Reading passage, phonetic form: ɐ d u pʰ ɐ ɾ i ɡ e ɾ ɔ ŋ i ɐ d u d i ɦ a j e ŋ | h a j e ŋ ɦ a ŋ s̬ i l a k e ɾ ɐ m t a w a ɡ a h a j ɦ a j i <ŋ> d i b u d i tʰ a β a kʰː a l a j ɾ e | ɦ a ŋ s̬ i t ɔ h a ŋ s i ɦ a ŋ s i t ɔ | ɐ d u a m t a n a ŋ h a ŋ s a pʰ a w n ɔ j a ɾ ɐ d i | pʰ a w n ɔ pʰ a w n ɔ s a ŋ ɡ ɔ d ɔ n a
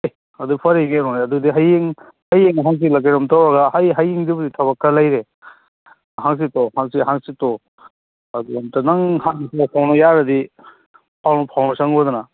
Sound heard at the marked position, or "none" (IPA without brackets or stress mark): ŋ